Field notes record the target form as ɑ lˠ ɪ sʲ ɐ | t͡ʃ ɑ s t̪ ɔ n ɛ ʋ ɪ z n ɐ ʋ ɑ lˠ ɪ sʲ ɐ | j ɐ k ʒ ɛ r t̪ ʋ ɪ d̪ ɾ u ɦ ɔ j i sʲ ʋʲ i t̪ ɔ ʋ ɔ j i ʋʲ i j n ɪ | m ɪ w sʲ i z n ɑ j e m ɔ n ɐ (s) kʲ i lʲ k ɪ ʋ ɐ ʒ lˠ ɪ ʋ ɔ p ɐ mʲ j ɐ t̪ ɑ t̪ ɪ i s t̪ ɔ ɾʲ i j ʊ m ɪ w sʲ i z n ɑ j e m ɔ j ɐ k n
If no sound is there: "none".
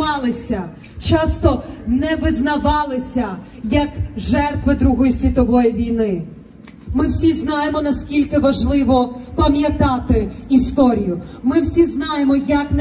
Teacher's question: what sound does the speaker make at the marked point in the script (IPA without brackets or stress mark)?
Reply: s